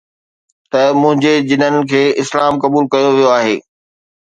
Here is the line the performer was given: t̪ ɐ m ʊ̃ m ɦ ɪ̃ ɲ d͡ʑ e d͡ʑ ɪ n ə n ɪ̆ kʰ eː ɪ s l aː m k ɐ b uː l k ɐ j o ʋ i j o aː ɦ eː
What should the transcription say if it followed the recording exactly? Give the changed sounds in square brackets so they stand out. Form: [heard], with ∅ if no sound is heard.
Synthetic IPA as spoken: t̪ ɐ m ʊ̃ [∅] ɦ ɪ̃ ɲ d͡ʑ e d͡ʑ ɪ n ə n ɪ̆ kʰ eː ɪ s l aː m k ɐ b uː l k ɐ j o ʋ i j o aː ɦ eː